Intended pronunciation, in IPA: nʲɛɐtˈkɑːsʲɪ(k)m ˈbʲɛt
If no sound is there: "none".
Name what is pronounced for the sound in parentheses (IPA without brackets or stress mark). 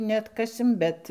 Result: none